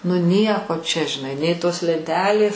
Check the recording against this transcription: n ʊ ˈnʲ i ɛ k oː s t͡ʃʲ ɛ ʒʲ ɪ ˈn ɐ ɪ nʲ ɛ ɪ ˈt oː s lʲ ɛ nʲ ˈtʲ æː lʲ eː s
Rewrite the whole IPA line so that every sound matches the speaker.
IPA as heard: n ʊ ˈnʲ i ɛ k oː t͡ʃʲ ɛ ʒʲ ɪ ˈn ɐ ɪ nʲ ɛ ɪ ˈt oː s lʲ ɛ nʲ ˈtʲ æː lʲ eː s